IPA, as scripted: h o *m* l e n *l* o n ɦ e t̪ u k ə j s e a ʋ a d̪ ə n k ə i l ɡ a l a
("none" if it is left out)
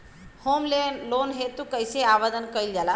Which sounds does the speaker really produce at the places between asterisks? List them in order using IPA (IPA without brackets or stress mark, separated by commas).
m, l